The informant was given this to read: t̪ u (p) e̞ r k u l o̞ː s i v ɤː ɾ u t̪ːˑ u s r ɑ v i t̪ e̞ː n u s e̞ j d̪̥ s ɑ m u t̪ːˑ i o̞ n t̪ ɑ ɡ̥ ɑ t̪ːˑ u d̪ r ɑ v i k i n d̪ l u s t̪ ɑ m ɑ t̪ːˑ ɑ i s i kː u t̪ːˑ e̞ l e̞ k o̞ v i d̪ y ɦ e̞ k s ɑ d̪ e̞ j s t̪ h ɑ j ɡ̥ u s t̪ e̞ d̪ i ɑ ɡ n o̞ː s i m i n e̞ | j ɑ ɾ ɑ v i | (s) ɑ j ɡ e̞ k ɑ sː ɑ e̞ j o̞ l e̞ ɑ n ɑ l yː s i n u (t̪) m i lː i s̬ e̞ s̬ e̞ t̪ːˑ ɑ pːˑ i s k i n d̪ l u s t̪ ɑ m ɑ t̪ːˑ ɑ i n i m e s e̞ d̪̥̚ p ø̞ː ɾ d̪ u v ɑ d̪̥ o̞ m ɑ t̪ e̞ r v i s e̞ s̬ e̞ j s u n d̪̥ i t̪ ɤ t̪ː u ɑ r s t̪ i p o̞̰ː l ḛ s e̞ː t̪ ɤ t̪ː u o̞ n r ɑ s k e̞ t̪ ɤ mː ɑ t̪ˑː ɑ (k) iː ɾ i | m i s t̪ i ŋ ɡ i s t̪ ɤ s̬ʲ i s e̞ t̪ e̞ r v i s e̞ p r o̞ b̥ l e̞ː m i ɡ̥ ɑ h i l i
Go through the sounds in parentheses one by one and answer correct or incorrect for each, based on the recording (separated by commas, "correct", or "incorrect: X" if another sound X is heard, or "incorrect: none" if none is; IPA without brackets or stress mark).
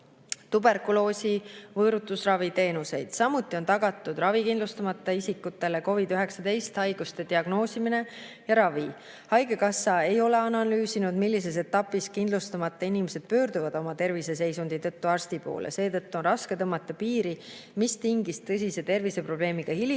incorrect: b, incorrect: h, incorrect: d̪, incorrect: p